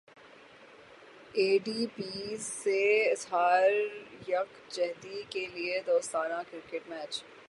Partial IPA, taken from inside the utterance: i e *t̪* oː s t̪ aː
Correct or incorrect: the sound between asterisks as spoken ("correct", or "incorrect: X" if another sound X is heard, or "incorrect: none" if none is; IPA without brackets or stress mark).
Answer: incorrect: d̪